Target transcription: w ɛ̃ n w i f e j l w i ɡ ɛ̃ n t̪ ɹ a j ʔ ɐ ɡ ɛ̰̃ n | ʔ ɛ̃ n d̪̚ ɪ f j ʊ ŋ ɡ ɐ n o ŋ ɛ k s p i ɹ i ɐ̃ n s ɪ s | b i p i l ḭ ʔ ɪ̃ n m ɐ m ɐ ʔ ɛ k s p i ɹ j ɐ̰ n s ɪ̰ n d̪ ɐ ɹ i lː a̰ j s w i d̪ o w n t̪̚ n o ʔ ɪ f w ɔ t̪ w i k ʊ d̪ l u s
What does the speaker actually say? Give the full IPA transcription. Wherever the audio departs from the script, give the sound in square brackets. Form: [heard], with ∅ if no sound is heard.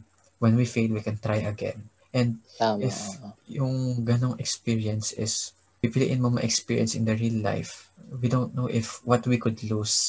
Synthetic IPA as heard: w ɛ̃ n w i f e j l w i [k] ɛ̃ n t̪ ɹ a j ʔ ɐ ɡ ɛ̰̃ n | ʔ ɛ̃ n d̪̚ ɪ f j ʊ ŋ ɡ ɐ n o ŋ ɛ k s p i ɹ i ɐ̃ n s ɪ s | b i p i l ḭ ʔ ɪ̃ n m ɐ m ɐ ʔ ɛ k s p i ɹ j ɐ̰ n s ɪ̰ n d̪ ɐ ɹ i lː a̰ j [f] w i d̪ o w n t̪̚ n o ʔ ɪ f w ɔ t̪ w i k ʊ d̪ l u s